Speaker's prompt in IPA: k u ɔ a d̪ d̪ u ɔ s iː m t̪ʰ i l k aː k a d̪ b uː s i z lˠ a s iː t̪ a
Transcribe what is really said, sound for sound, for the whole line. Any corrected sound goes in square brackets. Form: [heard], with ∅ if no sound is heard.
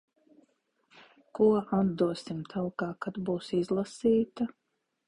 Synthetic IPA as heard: k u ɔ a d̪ d̪ u ɔ s [i] m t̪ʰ [a] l k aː k a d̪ b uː s i z lˠ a s iː t̪ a